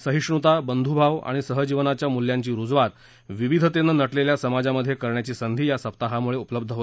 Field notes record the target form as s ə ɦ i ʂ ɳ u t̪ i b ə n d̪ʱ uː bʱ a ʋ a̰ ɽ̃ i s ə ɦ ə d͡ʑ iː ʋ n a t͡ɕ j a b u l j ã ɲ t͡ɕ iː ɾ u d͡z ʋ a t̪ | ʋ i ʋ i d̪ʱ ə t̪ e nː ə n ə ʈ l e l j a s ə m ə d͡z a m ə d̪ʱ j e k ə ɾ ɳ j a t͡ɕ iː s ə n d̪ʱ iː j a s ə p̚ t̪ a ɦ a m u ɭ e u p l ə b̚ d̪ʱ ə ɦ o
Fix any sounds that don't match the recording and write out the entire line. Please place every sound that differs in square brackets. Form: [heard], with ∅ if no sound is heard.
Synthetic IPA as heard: s ə ɦ i ʂ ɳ u t̪ [a] b ə n d̪ʱ [u] bʱ a ʋ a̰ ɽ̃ i s ə ɦ ə d͡ʑ [i] ʋ n a t͡ɕ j a [m] u l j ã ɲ t͡ɕ iː ɾ u d͡z ʋ a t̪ | ʋ i ʋ i d̪ʱ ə t̪ e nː ə n ə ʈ l e l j a s ə m [a] d͡z a m ə d̪ʱ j e k ə ɾ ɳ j a t͡ɕ iː s ə n d̪ʱ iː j a s ə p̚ t̪ a ɦ a m u ɭ e u p l ə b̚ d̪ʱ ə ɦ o